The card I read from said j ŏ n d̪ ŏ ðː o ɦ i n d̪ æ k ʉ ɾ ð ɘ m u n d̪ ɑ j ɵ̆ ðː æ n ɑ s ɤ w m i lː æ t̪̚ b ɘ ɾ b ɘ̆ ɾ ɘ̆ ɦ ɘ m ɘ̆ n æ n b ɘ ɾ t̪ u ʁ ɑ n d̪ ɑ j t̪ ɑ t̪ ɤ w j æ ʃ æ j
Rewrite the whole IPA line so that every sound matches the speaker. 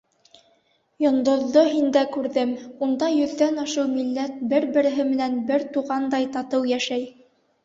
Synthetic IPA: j ŏ n d̪ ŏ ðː o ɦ i n d̪ æ k ʉ ɾ ð ɘ m u n d̪ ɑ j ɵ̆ ðː æ n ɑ ʃ ɤ w m i lː æ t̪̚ b ɘ ɾ b ɘ̆ ɾ ɘ̆ ɦ ɘ m ɘ̆ n æ n b ɘ ɾ t̪ u ʁ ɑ n d̪ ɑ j t̪ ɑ t̪ ɤ w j æ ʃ æ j